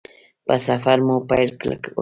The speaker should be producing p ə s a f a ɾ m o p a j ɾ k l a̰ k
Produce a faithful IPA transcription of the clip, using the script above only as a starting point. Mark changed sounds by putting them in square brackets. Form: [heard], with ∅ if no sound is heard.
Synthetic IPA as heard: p [a] s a f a ɾ m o p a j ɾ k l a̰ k